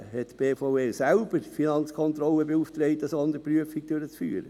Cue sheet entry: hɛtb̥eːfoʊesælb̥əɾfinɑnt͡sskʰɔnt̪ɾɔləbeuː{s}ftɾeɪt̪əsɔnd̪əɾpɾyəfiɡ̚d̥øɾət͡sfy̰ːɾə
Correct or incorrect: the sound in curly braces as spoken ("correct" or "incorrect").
incorrect